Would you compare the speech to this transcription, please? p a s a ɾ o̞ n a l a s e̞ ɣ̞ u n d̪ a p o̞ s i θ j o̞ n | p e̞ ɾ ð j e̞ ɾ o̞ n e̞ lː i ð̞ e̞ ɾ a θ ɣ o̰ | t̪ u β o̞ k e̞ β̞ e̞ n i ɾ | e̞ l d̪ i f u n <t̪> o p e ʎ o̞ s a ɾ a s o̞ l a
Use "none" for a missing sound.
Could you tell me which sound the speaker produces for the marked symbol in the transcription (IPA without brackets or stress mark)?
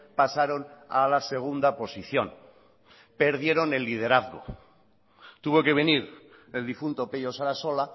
t̪